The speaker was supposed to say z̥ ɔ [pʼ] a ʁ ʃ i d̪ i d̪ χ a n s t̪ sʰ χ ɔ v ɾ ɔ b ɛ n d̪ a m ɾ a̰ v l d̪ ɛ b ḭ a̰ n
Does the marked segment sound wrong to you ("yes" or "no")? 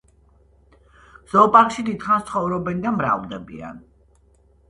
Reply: no